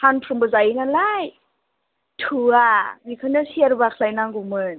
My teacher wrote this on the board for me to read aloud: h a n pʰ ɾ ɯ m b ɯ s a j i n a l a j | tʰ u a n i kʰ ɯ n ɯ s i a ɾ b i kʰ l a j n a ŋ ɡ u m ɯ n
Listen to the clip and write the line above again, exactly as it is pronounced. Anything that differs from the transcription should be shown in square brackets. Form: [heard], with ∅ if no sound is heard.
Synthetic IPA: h a n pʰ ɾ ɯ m b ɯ [z] a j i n a l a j | tʰ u a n i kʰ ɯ n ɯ s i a ɾ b [a] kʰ l a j n a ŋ ɡ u m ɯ n